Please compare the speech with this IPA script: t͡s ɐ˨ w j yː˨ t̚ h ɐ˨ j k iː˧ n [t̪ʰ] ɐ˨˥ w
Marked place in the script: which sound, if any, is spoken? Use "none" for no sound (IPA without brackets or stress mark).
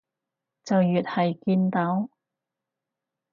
t̪